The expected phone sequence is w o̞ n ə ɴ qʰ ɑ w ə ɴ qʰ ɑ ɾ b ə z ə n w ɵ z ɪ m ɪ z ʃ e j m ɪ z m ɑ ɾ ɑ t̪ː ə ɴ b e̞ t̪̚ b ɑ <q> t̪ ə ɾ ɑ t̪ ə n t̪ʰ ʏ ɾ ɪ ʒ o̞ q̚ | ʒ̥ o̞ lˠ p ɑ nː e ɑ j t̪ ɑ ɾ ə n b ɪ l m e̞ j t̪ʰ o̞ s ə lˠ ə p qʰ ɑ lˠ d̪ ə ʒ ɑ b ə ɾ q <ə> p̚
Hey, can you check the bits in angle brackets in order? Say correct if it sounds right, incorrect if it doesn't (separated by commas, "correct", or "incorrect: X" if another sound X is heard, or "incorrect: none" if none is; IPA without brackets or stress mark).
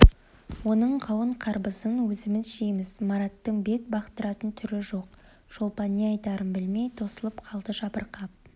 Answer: correct, incorrect: ɑ